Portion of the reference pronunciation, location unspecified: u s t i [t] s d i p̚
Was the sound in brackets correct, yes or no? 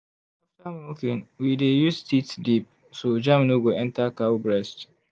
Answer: yes